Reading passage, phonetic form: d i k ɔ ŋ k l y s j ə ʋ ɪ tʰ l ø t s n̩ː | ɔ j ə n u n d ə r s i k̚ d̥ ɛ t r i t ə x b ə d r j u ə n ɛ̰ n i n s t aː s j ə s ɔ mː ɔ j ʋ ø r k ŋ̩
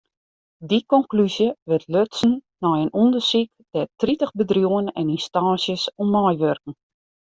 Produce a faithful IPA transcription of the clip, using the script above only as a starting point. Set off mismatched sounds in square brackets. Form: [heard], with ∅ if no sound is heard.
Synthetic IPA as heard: d i k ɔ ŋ k l y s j ə ʋ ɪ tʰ l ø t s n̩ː | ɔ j ə n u n d ə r s i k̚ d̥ ɛ t r i t ə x b ə d r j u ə n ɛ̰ n i n s t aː s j ə s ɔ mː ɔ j ʋ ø r k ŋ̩

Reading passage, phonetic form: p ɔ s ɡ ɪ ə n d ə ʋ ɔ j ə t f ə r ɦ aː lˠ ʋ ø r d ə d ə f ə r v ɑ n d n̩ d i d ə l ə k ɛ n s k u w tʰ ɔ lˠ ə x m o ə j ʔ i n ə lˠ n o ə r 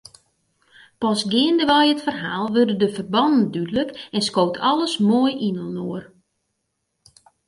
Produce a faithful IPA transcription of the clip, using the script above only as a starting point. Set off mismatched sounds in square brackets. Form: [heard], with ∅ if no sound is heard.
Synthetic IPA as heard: p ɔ s ɡ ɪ ə n d ə ʋ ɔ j ə t f ə r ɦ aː lˠ ʋ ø r d ə d ə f ə r [b] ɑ n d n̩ d [y] d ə l ə k ɛ n s k [o] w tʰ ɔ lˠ ə [s] m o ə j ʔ i n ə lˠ n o ə r

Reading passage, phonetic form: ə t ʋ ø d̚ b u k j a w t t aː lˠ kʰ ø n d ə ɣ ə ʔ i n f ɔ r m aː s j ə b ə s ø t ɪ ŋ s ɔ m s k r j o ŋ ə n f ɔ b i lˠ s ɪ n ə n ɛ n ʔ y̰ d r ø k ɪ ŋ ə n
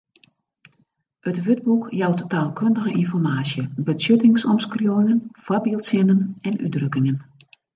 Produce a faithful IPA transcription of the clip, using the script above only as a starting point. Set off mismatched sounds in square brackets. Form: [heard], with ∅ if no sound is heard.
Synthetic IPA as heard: ə t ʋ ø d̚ b u k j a w t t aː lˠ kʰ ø n d ə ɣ ə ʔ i n f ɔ r m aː s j ə b ə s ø t ɪ ŋ s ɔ m s k r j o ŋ ə n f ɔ b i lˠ s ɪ n ə n ɛ n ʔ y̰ d r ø k ɪ ŋ ə n

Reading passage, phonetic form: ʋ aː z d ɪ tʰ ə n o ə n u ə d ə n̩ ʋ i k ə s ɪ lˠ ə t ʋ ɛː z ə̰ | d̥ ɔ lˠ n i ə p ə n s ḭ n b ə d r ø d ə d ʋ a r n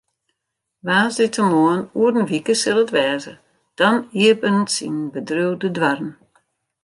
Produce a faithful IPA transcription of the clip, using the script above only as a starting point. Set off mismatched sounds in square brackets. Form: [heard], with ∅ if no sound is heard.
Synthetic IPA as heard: ʋ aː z d ɪ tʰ ə [m] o ə n u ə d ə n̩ ʋ i k ə s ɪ lˠ ə t ʋ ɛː z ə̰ | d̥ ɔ [∅] n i ə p ə n s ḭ n b ə d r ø d ə d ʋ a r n

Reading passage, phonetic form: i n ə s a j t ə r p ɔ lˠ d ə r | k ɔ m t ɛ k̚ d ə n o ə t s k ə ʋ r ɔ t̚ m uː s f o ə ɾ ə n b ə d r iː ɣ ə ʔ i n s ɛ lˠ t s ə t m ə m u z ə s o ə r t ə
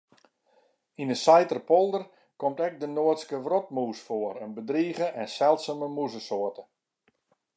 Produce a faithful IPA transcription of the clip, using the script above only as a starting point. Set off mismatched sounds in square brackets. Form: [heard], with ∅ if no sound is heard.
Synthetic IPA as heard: i n ə s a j t ə r p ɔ lˠ d ə r | k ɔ m t ɛ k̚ d ə n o ə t s k ə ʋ r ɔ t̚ m uː s f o ə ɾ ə n b ə d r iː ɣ ə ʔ [ɛ] n s ɛ lˠ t s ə [∅] m ə m u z ə s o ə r t ə

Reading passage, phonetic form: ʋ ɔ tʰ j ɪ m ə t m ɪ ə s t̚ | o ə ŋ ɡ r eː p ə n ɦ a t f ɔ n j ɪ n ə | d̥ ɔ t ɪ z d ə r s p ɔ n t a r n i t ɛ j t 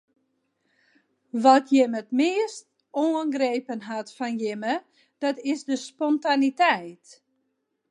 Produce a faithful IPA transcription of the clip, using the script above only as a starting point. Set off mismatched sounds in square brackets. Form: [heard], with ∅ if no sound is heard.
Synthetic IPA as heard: ʋ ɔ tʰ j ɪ m ə t m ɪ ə s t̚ | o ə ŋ ɡ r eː p ə n ɦ a t f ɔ n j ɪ [m] ə | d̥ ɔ t ɪ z d ə [∅] s p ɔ n t a [∅] n i t ɛ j t

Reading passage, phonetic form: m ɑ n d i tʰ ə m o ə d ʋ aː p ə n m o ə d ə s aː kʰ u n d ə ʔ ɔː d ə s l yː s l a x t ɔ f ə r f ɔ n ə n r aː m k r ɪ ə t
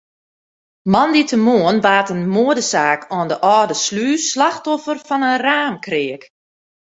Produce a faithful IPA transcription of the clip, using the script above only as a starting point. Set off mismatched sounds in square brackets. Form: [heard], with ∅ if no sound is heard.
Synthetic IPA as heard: m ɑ n d i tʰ ə m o ə [n] ʋ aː [t] ə n m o ə d ə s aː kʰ [ɔ] n d ə ʔ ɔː d ə s l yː s l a x t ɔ f ə r f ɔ n ə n r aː m k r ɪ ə [k]

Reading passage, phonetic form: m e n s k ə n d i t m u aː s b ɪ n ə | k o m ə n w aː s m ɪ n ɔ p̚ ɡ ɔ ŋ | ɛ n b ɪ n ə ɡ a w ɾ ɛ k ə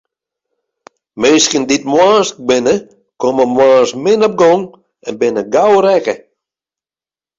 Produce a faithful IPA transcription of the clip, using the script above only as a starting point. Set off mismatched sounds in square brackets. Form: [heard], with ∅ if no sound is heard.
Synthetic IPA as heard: m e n s k ə n d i t m [w] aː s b ɪ n ə | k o m ə [m] w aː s m ɪ n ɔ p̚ ɡ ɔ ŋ | ɛ n b ɪ n ə ɡ a w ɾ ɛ k ə

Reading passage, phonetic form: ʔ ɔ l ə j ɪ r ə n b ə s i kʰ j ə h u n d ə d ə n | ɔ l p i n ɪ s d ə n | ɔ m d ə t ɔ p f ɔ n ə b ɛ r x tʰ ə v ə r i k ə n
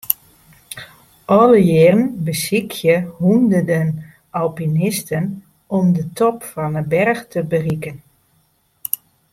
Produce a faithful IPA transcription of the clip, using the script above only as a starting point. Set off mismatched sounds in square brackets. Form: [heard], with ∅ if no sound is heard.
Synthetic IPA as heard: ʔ ɔ l ə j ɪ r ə n b ə s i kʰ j ə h u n d ə d ə n | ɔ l p i n ɪ s [t] ə n | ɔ m d ə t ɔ p f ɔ n ə b ɛ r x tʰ ə [b] ə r i k ə n

